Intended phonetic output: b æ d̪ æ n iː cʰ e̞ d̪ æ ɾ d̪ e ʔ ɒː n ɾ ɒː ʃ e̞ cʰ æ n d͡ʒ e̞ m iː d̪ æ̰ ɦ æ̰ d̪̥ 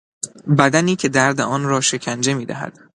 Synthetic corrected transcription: b æ d̪ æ n iː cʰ e̞ d̪ æ ɾ d̪ e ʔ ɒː n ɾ ɒː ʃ e̞ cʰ æ n d͡ʒ e̞ m iː d̪ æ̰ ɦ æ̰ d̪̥